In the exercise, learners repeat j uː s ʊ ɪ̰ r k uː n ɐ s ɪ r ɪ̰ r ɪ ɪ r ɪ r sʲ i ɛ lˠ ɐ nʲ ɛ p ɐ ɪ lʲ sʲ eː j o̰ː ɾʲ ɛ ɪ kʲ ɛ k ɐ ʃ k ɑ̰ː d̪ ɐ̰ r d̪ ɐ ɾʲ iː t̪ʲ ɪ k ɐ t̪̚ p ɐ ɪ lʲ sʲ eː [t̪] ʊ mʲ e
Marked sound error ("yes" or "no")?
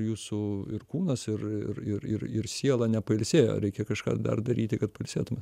no